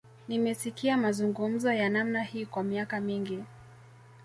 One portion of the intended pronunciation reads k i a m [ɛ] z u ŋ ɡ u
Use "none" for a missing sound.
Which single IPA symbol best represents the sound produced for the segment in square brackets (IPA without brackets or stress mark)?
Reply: a